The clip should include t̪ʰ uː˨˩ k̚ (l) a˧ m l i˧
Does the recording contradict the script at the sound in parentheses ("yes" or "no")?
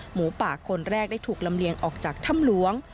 no